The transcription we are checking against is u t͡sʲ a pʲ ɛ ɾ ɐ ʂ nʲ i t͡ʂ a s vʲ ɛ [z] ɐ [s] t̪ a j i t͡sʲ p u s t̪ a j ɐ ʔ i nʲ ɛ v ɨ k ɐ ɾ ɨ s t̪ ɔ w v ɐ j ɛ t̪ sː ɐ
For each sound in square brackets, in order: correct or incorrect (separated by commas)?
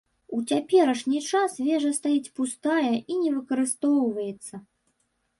incorrect, correct